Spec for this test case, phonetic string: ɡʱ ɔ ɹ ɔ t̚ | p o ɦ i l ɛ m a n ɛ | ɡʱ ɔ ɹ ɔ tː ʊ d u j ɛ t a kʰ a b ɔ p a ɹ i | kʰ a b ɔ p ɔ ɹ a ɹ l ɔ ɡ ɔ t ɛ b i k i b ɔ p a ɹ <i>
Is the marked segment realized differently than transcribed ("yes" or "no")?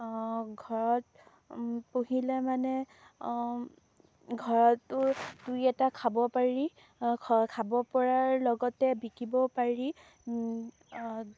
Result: no